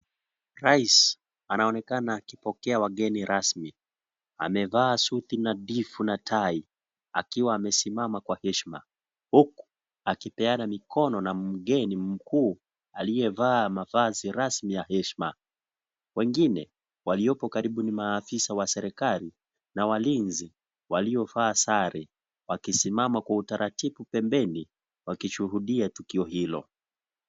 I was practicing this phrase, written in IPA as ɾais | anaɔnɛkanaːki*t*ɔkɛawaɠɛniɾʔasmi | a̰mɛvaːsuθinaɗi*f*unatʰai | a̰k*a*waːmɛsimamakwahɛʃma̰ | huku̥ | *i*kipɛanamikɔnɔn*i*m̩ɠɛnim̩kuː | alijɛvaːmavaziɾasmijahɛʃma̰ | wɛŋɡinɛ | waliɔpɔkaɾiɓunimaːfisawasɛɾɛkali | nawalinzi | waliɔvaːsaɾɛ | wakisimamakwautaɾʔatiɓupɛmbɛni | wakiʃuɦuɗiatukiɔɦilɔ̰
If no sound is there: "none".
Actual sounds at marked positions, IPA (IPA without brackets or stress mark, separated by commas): p, f, i, a, a